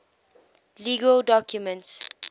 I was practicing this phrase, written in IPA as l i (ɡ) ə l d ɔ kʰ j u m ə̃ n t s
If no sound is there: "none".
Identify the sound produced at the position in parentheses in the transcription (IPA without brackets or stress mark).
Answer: ɡ